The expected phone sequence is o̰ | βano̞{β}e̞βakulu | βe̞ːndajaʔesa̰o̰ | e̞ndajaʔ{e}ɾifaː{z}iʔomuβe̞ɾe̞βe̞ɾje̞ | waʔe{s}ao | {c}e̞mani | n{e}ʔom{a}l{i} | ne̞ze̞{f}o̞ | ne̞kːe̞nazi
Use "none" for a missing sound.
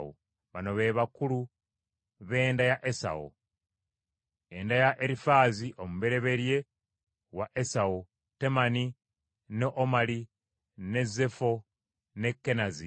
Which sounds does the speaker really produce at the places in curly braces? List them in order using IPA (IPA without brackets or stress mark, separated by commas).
β, e, z, s, t, e, a, i, f